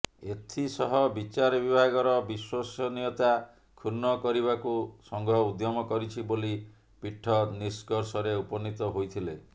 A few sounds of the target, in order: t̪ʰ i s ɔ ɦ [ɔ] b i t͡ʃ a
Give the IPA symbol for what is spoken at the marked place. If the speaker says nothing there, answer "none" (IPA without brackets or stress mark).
ɔ